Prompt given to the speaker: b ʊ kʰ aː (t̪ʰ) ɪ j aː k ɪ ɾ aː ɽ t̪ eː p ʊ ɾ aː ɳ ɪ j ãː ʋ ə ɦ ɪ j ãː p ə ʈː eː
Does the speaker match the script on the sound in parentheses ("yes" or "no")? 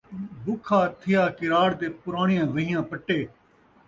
yes